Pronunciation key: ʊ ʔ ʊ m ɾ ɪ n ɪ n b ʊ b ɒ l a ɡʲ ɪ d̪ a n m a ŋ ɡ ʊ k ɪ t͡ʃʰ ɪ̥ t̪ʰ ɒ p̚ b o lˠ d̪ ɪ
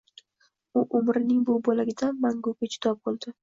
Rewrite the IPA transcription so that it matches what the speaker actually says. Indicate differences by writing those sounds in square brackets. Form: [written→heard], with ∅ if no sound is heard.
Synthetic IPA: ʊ ʔ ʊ m ɾ ɪ n ɪ [n→ŋ] b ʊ b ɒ l a ɡʲ ɪ d̪ a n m a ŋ ɡ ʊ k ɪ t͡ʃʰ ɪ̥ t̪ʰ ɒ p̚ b o lˠ d̪ ɪ